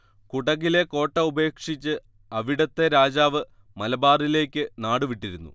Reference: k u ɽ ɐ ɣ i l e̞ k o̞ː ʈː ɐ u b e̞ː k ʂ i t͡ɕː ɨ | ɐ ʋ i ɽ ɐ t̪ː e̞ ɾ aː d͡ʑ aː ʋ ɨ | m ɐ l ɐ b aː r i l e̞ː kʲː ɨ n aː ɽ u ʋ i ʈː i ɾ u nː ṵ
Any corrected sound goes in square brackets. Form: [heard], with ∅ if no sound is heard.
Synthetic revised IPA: k u ɽ ɐ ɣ i l e̞ k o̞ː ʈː ɐ u b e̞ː k ʂ i t͡ɕː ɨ | ɐ ʋ i ɽ ɐ t̪ː e̞ ɾ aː d͡ʑ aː ʋ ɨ | m ɐ l ɐ b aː r i l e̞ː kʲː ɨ n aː ɽ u ʋ i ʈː i ɾ u nː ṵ